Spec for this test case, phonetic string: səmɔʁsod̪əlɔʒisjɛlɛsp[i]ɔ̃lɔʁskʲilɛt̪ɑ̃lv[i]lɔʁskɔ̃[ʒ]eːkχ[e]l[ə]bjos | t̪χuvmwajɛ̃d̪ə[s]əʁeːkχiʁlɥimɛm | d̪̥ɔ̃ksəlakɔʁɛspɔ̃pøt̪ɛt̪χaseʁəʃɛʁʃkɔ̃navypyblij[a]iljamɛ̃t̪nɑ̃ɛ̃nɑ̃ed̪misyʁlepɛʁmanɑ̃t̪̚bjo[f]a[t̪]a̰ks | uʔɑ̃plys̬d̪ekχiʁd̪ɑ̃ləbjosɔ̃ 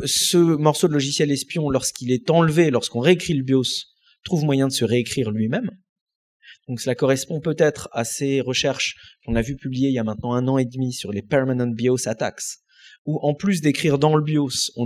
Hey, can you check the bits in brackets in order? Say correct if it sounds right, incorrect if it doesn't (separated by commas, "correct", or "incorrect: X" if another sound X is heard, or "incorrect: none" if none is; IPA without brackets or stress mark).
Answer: incorrect: j, incorrect: e, incorrect: ʁ, incorrect: i, correct, correct, incorrect: e, incorrect: s, correct